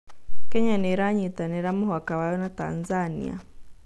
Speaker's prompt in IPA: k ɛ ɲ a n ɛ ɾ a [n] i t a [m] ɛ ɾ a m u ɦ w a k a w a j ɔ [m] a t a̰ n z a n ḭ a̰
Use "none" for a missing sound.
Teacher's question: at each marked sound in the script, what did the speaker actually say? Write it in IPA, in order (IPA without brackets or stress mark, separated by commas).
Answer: ɲ, n, n